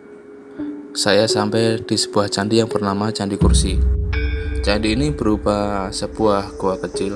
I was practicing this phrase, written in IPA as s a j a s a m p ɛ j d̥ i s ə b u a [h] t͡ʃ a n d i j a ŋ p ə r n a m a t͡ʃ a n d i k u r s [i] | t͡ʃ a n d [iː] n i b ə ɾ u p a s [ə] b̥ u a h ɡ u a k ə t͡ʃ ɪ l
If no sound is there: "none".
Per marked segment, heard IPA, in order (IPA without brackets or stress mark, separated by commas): h, i, iː, ə